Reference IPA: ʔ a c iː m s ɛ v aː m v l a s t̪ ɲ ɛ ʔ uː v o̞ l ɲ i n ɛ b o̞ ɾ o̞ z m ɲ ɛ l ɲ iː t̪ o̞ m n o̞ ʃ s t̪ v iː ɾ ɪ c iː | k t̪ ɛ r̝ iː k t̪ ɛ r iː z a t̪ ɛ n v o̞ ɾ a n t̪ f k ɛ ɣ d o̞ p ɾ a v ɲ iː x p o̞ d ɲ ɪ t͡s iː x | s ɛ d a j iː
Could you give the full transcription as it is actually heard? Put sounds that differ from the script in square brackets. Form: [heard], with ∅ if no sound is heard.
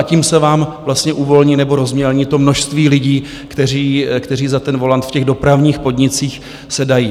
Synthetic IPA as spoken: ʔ a c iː m s ɛ v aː m v l a s t̪ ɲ ɛ ʔ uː v o̞ l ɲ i n ɛ b o̞ ɾ o̞ z m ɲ ɛ l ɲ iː t̪ o̞ m n o̞ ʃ s t̪ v iː [l] ɪ [ɟ] iː | k t̪ ɛ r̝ iː k t̪ ɛ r iː z a t̪ ɛ n v o̞ [l] a n t̪ f [c] ɛ ɣ d o̞ p ɾ a v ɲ iː x p o̞ d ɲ ɪ t͡s iː x | s ɛ d a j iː